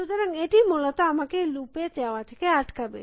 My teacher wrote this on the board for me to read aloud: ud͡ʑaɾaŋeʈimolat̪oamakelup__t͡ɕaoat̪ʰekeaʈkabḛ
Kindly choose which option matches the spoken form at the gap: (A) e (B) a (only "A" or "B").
A